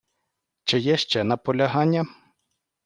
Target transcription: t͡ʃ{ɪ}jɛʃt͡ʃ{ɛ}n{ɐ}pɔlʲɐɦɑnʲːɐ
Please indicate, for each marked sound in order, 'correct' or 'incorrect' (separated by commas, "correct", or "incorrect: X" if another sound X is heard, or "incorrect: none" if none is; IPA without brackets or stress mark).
correct, correct, correct